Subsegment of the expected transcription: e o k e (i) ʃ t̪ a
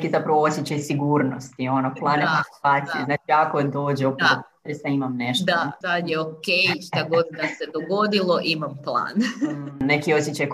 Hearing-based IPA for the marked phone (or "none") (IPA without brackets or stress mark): j